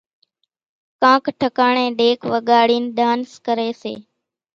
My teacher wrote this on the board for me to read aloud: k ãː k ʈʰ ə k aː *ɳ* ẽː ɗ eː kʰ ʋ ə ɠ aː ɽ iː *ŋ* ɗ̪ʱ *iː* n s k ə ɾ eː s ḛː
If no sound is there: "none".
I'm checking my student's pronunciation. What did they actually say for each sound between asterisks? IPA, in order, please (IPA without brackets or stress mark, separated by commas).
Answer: ɳ, n, aː